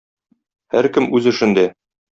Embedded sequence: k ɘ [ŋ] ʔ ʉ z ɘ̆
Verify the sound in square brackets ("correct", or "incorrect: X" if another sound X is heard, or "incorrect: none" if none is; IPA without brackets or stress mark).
incorrect: m